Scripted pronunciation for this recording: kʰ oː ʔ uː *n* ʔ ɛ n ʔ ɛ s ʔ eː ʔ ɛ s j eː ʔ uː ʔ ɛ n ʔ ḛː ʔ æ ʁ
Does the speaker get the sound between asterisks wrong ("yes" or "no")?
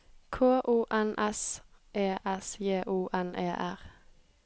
yes